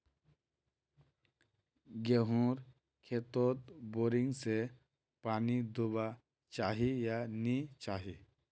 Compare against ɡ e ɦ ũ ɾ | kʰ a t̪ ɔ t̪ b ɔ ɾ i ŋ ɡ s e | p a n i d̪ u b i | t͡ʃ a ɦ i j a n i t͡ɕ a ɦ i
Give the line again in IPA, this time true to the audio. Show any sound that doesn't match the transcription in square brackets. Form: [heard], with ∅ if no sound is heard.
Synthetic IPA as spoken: ɡ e ɦ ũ ɾ | kʰ [e] t̪ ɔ t̪ b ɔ ɾ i ŋ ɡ s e | p a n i d̪ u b [a] | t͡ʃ a ɦ i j a n i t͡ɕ a ɦ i